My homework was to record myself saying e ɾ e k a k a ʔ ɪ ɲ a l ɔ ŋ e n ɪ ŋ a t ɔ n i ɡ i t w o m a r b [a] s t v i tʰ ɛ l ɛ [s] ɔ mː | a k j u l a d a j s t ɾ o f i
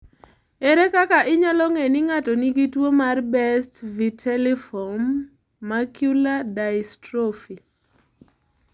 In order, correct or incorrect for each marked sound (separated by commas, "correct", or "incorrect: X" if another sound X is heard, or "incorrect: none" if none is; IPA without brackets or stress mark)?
incorrect: ɛ, incorrect: f